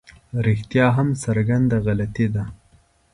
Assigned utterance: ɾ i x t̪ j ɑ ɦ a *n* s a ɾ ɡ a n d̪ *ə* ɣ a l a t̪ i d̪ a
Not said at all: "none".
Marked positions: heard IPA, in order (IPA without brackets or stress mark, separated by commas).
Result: m, a